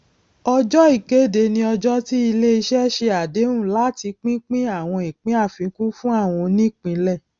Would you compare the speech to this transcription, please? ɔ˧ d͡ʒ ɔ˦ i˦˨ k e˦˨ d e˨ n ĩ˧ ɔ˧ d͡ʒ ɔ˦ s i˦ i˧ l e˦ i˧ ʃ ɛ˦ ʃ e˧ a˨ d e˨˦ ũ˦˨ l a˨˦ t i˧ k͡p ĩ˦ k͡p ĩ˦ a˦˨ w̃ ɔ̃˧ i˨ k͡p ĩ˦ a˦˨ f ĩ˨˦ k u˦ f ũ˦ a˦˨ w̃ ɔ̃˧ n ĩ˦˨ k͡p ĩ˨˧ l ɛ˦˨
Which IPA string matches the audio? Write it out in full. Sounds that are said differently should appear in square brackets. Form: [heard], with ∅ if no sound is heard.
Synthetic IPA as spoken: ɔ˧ d͡ʒ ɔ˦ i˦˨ k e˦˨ d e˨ n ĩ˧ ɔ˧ d͡ʒ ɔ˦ [t] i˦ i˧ l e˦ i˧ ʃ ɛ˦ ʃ e˧ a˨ d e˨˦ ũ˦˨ l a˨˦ t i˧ k͡p ĩ˦ k͡p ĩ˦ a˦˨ w̃ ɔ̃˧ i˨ k͡p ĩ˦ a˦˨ f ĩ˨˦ k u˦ f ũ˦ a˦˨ w̃ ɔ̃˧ n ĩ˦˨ k͡p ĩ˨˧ l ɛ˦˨